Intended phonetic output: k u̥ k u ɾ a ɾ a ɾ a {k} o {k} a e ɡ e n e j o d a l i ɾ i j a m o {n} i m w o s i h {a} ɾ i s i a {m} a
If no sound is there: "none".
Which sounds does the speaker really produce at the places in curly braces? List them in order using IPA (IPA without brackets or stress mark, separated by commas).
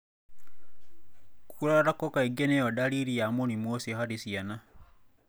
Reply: k, k, n, a, n